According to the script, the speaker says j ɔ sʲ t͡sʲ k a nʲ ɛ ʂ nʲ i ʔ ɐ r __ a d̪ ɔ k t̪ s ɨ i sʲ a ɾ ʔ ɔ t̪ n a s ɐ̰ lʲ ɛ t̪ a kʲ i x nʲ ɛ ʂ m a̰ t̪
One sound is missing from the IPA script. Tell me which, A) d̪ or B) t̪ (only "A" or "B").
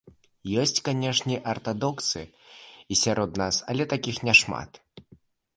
B